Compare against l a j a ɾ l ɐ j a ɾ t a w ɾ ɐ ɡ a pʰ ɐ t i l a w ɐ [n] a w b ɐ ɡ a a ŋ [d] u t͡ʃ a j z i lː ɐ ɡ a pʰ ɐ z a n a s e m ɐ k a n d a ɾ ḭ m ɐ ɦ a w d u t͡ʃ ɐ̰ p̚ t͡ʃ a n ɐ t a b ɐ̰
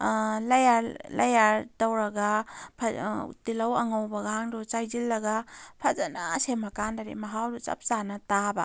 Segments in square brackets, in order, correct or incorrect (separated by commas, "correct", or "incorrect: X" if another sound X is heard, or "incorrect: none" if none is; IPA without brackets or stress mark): incorrect: ŋ, correct